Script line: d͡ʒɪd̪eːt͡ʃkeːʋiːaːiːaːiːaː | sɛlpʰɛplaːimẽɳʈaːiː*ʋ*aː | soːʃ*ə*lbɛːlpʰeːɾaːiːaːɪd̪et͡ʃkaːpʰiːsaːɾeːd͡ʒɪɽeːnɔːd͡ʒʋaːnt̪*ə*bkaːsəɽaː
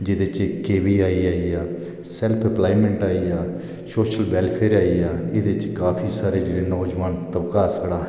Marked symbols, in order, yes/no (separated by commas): no, yes, yes